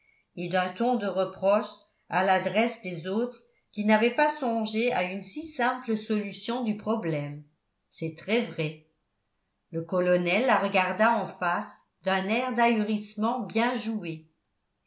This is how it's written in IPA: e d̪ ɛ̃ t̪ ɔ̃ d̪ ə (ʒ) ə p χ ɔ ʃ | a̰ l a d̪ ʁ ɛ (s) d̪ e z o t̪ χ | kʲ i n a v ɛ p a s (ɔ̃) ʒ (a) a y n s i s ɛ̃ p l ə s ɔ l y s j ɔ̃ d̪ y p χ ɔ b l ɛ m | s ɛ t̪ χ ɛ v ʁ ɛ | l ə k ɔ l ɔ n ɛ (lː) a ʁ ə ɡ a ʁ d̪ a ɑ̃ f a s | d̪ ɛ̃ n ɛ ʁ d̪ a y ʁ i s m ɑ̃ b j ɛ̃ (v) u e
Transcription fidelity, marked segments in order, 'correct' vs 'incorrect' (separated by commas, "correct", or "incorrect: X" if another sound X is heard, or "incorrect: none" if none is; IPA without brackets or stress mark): incorrect: ʁ, correct, correct, incorrect: e, correct, incorrect: ʒ